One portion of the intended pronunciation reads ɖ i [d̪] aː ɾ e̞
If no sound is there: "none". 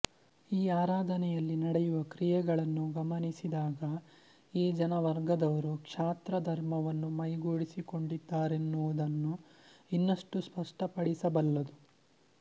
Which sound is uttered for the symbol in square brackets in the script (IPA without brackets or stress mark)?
d̪ː